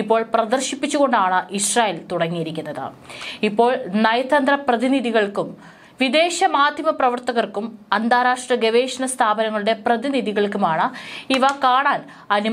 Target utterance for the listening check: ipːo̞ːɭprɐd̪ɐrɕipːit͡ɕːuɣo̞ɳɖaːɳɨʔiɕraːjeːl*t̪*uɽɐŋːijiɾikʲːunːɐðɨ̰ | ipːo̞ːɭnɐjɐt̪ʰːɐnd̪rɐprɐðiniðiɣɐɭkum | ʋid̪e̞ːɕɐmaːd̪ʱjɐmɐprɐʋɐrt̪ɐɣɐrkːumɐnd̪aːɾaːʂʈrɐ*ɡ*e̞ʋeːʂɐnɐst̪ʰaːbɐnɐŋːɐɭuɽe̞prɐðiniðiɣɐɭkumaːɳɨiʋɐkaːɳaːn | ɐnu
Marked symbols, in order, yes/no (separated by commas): yes, yes